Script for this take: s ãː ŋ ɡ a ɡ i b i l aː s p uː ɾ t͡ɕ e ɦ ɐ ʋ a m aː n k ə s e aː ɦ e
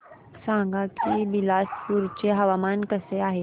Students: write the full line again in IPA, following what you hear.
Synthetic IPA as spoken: s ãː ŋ ɡ a k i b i l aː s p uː ɾ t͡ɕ e ɦ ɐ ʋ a m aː n k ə s e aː ɦ e